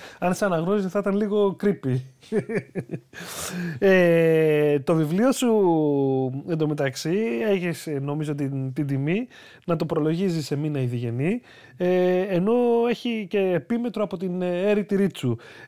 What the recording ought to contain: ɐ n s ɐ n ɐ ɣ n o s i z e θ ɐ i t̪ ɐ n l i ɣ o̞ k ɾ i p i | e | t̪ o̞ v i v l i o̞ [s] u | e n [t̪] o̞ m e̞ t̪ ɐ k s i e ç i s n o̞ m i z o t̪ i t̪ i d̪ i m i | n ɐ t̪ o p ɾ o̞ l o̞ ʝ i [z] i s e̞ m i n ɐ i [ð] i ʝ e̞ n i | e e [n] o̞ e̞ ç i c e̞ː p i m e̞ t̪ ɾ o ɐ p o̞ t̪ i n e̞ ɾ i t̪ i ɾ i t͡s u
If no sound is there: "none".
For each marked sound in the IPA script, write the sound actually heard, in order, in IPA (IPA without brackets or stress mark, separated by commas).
s, d̪, z, ð, n